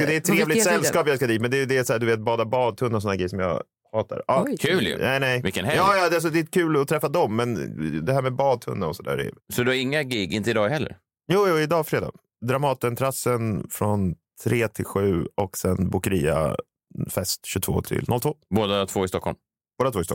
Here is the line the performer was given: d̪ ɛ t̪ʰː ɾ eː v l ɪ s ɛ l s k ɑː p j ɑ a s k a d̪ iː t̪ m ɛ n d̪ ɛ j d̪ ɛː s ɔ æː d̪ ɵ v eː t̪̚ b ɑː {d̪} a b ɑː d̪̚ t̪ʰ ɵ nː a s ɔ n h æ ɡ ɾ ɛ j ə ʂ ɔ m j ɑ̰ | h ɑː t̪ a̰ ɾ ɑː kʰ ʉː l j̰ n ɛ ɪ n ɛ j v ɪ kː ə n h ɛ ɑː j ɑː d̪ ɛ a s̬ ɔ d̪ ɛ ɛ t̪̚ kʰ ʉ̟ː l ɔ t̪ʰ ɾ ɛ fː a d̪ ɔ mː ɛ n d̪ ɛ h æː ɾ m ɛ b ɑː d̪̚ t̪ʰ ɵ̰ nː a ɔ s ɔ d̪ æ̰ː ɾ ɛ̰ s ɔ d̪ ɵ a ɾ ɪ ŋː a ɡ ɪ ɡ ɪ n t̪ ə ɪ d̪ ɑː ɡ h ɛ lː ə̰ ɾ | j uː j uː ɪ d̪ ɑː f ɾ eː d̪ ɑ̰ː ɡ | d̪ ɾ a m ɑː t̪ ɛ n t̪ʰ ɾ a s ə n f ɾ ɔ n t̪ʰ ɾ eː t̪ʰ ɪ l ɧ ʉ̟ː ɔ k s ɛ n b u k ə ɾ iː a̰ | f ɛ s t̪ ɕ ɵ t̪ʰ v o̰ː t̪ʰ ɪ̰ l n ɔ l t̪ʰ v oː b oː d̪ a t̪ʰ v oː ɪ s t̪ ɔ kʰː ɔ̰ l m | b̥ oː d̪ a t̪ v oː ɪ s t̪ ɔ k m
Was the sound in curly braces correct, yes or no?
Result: yes